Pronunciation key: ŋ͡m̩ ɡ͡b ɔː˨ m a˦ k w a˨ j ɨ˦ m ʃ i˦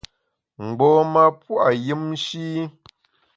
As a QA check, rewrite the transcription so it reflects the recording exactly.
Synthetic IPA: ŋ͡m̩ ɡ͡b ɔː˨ m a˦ p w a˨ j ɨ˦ m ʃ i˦